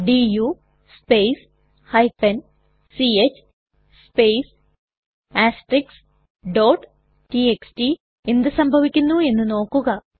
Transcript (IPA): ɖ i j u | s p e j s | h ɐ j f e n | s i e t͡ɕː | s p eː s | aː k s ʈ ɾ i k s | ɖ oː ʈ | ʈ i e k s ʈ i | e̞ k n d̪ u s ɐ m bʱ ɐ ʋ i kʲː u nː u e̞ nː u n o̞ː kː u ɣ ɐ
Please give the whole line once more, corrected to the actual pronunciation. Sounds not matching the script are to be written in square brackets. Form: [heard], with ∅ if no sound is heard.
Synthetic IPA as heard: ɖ i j u | s p e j s | h ɐ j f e n | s i e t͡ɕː | s p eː s | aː [∅] s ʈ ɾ i k s | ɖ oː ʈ | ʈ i e k s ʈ i | e̞ [∅] n d̪ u s ɐ m bʱ ɐ ʋ i kʲː u nː u e̞ nː u n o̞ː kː u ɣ ɐ